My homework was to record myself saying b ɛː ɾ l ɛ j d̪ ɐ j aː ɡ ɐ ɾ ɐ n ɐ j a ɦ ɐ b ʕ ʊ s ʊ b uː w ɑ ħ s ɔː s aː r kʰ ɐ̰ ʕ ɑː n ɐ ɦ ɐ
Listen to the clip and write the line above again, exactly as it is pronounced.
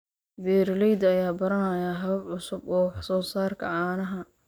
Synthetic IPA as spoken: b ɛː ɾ l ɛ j d̪ ɐ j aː b ɐ ɾ ɐ n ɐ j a ɦ ɐ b ʕ ʊ s ʊ b ɔː w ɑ ħ s ɔː s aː r kʰ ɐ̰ ʕ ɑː n ɐ ɦ ɐ